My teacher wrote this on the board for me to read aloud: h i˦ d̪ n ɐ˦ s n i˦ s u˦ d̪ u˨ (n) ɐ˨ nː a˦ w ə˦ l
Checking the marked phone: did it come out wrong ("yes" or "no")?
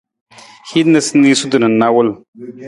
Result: no